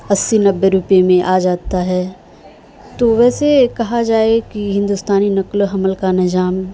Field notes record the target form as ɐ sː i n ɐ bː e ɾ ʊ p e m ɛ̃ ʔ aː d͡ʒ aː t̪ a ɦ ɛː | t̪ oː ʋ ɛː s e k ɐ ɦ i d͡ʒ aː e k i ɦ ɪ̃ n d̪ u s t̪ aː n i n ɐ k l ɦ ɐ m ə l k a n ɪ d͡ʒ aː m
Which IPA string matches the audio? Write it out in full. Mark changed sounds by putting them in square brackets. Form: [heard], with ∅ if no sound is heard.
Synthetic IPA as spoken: ɐ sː i n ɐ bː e ɾ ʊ p e m [ẽ] ʔ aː d͡ʒ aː t̪ a ɦ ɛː | t̪ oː ʋ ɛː s e k ɐ ɦ [a] d͡ʒ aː e k i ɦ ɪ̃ n d̪ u s t̪ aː n i n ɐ k l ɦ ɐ m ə l k a n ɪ d͡ʒ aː m